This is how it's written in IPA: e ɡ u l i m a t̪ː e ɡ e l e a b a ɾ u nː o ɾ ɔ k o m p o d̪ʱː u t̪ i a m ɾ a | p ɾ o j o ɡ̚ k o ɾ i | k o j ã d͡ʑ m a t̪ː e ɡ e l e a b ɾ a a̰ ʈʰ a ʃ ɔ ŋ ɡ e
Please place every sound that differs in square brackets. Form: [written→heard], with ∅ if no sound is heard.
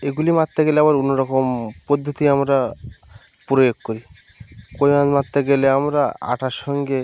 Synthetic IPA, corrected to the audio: e ɡ u l i m a t̪ː e ɡ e l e a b a ɾ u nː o ɾ ɔ k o m p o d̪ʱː [u→o] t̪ i a m ɾ a | p ɾ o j o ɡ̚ k o ɾ i | k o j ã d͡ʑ m a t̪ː e ɡ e l e a [b→m] ɾ a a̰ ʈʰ a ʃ ɔ ŋ ɡ e